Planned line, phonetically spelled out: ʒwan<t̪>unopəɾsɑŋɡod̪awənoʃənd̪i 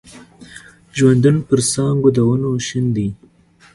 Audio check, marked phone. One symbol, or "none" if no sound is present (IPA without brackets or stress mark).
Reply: d̪